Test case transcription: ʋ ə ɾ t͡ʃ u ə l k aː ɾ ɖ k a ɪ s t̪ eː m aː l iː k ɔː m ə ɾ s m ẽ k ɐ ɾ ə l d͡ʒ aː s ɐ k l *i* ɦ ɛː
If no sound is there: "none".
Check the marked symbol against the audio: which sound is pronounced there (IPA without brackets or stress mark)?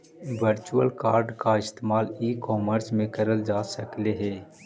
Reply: e